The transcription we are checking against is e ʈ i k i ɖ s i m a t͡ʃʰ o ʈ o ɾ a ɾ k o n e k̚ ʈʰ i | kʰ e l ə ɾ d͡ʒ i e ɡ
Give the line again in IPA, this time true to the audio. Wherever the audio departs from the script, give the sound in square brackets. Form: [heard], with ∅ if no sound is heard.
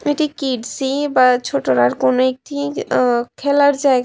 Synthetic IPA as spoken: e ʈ i k i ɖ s i [b] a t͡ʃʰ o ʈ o ɾ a ɾ k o n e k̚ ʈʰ i | kʰ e l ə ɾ d͡ʒ [a] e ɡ